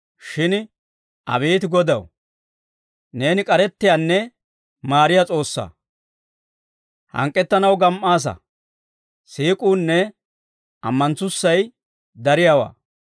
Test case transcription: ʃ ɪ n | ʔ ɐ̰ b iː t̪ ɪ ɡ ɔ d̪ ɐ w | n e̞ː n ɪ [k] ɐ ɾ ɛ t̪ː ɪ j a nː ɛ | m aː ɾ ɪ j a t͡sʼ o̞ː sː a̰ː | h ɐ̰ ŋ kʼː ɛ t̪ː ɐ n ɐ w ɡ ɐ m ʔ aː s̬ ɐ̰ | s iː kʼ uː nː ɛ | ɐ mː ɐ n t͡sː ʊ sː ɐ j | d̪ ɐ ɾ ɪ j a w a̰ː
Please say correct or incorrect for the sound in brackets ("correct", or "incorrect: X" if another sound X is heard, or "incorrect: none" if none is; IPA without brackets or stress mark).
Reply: incorrect: kʼ